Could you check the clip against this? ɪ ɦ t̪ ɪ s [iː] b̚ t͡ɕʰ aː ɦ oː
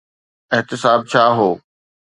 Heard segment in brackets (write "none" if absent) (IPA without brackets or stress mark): aː